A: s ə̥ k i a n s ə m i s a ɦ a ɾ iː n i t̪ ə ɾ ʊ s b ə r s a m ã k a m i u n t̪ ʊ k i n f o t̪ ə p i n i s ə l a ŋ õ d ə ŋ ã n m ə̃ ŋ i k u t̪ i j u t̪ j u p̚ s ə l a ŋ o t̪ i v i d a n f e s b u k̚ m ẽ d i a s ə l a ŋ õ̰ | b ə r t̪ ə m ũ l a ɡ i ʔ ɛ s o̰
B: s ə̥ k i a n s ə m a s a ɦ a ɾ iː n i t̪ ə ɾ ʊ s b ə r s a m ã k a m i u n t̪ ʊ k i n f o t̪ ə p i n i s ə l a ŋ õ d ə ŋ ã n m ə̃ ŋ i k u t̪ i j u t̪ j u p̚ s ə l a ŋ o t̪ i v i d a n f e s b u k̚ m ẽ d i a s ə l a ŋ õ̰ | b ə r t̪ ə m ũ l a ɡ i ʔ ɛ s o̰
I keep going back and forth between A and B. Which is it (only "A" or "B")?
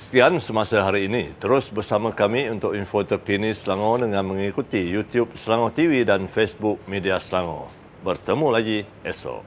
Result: B